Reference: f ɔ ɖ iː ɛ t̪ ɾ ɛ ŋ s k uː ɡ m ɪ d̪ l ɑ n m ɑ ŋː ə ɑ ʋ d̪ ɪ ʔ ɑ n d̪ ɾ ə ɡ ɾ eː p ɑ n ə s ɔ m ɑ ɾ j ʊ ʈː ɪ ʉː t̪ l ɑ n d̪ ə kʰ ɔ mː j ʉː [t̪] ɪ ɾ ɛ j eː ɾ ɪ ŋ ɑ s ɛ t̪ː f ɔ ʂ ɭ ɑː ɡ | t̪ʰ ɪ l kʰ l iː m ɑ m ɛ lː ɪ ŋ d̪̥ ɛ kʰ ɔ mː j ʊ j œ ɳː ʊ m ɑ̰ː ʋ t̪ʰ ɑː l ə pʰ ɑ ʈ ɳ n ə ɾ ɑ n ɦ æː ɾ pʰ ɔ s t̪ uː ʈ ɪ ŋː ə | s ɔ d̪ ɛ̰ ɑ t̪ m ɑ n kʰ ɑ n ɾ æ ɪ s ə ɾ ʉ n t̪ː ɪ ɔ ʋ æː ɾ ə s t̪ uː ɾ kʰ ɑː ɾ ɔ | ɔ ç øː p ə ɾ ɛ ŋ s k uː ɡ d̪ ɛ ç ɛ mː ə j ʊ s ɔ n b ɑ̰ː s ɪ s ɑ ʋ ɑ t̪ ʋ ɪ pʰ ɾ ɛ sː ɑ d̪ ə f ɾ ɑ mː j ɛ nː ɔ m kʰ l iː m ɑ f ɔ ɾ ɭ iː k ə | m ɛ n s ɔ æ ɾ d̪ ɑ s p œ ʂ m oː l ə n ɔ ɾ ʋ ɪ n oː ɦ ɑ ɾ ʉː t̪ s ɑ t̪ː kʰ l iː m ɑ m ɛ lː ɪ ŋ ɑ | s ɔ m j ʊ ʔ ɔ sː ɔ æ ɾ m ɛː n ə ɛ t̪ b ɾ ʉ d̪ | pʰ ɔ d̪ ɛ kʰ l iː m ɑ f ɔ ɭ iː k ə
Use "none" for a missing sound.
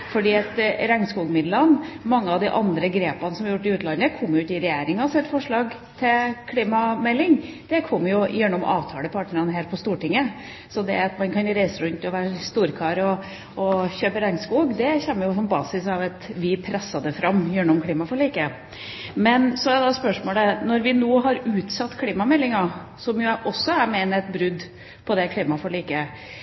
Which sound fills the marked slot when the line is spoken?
t̪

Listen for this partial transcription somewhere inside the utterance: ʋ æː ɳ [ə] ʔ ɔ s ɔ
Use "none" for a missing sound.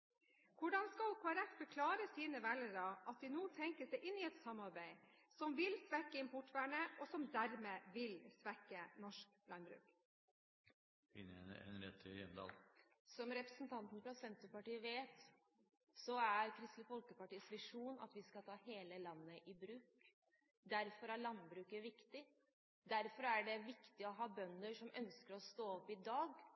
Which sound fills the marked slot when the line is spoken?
ə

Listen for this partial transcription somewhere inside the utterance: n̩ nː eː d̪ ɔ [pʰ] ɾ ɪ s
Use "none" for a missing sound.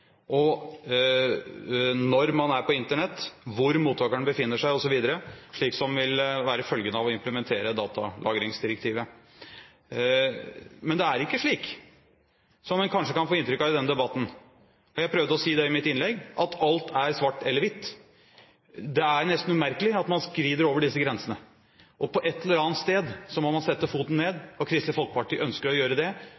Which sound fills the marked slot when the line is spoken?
kʰ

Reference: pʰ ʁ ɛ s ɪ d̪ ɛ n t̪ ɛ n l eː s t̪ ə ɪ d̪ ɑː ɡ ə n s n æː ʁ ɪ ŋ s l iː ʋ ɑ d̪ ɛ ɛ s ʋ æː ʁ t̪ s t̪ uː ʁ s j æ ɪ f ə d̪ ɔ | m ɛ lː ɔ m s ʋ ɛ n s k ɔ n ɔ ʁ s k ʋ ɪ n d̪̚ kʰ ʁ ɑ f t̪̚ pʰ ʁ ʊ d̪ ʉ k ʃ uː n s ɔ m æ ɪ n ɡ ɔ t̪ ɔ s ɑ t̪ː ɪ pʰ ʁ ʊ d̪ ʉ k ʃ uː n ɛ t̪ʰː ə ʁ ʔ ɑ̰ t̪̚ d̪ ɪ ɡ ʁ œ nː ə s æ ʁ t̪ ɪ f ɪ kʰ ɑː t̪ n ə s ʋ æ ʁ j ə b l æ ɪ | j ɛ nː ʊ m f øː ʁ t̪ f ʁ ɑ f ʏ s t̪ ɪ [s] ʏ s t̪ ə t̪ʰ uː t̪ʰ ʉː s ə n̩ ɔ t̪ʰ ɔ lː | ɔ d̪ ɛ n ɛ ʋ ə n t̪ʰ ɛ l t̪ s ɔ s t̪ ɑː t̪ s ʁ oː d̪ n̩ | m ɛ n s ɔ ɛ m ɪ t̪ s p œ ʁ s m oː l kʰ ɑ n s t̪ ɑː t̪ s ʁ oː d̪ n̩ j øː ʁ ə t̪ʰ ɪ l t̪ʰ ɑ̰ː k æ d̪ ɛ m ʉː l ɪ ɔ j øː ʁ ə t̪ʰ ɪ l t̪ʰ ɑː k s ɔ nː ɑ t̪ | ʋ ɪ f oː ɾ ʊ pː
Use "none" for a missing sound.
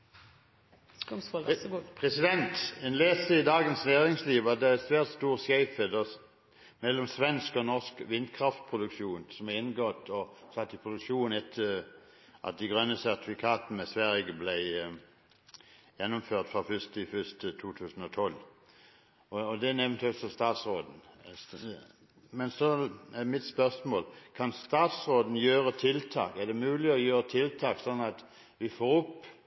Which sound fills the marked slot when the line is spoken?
f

